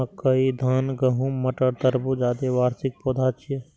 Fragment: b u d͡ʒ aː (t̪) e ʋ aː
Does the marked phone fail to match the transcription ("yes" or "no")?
yes